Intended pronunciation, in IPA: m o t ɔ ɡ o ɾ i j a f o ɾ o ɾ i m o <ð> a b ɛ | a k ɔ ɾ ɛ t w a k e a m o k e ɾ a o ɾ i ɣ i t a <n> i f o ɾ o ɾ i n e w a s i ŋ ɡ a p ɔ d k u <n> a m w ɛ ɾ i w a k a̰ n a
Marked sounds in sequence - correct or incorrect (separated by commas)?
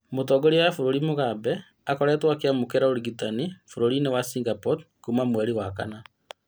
incorrect, correct, incorrect